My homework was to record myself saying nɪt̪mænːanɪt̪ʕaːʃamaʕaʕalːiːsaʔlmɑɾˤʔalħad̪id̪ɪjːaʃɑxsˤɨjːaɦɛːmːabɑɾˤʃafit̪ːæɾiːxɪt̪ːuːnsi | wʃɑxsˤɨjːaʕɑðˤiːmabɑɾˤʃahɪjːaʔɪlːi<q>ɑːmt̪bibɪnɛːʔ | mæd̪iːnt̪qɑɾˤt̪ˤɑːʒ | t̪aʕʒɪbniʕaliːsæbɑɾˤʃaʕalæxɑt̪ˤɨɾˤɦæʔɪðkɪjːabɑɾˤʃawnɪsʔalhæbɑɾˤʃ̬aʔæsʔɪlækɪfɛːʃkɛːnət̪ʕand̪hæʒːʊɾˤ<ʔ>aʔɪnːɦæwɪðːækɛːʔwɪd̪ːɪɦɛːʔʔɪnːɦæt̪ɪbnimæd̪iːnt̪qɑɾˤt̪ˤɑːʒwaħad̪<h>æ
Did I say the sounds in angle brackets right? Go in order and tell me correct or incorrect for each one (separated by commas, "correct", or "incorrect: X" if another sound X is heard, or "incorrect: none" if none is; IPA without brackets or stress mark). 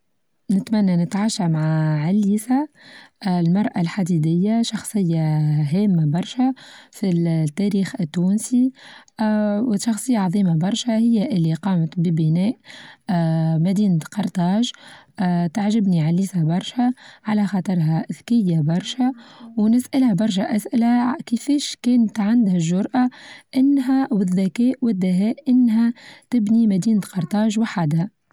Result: correct, correct, correct